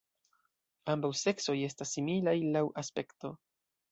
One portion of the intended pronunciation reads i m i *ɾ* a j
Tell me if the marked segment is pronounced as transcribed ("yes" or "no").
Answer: no